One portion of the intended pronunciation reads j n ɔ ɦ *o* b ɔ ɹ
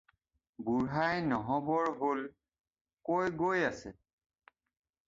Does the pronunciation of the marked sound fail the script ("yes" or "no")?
yes